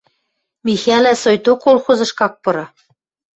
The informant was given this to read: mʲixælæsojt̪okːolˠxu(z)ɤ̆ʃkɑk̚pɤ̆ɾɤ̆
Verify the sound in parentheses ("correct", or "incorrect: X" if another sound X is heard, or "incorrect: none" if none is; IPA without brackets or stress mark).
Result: correct